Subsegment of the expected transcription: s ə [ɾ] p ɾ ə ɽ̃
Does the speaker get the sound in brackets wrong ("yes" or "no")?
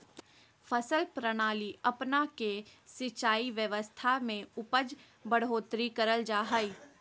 yes